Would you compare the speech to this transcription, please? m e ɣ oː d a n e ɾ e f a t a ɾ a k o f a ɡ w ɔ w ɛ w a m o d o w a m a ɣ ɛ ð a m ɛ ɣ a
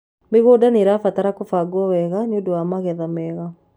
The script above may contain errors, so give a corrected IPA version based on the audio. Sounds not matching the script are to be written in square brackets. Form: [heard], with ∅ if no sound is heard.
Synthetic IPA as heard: m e ɣ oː d a n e ɾ [a] f a t a ɾ a k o f a ɡ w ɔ w ɛ [ɣ] a [ɲ] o d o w a m a ɣ ɛ ð a m ɛ ɣ a

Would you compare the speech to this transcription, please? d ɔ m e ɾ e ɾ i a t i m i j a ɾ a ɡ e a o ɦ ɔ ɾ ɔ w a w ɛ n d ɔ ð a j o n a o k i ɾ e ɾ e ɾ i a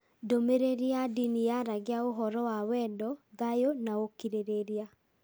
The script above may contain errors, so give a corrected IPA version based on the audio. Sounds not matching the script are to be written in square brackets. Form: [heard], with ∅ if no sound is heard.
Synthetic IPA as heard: d [o] m e ɾ e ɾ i a [d] i [n] i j a ɾ a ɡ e a o ɦ ɔ ɾ ɔ w a w ɛ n d ɔ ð a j o n a o k i ɾ e ɾ e ɾ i a

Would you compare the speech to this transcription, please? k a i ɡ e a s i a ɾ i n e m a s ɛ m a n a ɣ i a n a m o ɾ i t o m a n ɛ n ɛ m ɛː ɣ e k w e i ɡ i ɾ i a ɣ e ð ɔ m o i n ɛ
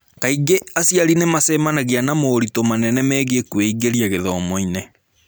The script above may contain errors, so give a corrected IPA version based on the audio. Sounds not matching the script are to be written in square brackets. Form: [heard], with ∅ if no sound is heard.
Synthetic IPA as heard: k a i ɡ e a s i a ɾ i n e m a s ɛ m a n a ɣ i a n a m o ɾ i t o m a n ɛ n ɛ m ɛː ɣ e k w e i ɡ [e] ɾ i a ɣ e ð ɔ m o i n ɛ

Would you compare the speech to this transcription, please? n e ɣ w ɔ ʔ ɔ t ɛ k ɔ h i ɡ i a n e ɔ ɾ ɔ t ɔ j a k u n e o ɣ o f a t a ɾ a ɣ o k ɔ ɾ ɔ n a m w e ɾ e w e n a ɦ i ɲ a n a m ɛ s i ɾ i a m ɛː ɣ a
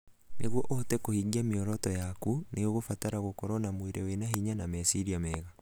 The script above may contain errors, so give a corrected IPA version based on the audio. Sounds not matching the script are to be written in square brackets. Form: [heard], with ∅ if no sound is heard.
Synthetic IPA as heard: n e ɣ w ɔ ʔ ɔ t ɛ k [o] h i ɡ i a [m] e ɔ ɾ ɔ t ɔ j a k u n e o ɣ o f a t a ɾ a ɣ o k ɔ ɾ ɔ n a m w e ɾ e w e n a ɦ i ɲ a n a m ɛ s i ɾ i a m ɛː ɣ a

